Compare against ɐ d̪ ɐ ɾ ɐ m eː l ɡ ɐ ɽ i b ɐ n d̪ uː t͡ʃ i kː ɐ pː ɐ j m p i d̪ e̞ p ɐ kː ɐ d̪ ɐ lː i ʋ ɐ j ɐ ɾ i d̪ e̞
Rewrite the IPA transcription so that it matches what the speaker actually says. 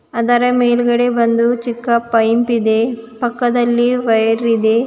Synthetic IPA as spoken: ɐ d̪ ɐ ɾ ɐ m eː l ɡ ɐ ɽ e b ɐ n d̪ u t͡ʃ i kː ɐ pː ɐ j m p i d̪ e̞ p ɐ kː ɐ d̪ ɐ lː i ʋ ɐ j ɐ ɾ i d̪ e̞